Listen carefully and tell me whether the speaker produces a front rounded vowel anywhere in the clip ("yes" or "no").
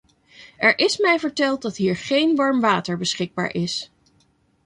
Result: no